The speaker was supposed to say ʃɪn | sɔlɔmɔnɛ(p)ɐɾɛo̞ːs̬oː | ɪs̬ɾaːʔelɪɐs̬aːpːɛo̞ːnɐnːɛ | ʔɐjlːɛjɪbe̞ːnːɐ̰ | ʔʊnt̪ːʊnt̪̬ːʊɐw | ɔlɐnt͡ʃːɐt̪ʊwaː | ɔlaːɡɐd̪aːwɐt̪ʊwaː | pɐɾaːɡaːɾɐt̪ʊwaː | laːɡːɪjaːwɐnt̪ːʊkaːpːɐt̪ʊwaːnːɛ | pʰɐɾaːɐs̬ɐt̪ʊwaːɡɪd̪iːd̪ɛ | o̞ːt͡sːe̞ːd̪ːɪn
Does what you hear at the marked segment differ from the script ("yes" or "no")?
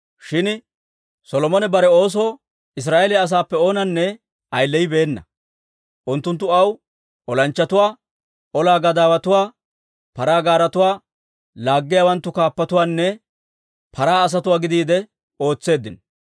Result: yes